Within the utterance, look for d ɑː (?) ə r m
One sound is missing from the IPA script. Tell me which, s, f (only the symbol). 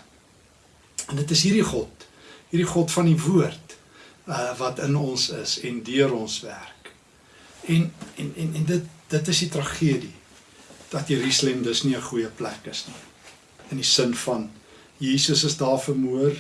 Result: f